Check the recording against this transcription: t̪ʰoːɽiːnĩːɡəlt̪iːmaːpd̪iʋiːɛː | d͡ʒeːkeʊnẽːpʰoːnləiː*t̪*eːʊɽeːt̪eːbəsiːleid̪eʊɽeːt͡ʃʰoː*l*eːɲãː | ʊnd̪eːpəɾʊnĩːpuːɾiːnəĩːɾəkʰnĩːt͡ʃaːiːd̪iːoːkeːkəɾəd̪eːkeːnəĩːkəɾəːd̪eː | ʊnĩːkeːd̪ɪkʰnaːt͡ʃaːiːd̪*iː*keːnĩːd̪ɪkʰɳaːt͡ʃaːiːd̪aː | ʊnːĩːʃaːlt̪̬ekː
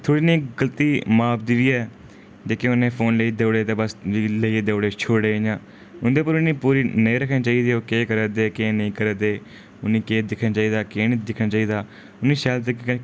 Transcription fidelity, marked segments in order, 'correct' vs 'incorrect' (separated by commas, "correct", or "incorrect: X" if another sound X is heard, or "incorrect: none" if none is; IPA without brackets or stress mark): incorrect: d̪, incorrect: ɽ, incorrect: aː